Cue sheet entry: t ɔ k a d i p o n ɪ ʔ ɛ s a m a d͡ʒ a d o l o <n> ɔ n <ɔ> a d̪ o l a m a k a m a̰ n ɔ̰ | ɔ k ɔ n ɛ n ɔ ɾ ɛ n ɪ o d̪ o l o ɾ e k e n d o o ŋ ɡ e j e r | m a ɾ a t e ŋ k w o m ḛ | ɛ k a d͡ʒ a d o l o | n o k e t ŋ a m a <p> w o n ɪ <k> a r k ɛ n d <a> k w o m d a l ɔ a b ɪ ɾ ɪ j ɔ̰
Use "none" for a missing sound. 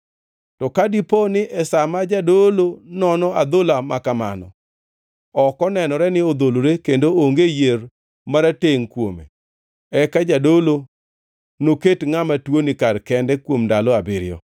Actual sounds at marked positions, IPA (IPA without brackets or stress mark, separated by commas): n, ɔ, t, k, ɛ